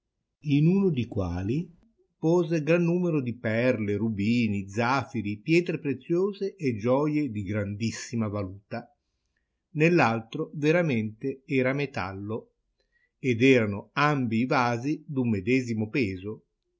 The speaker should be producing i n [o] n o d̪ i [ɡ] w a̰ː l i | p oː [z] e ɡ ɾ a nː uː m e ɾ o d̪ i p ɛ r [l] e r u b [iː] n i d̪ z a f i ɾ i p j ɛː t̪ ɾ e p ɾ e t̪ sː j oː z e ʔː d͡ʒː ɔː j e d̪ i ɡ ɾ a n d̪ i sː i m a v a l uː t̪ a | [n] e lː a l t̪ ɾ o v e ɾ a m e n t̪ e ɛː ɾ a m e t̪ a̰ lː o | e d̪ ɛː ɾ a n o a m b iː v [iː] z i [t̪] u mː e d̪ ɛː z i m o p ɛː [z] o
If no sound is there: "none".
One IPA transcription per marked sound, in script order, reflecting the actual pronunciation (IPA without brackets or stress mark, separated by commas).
u, k, z, l, iː, n, aː, d̪, z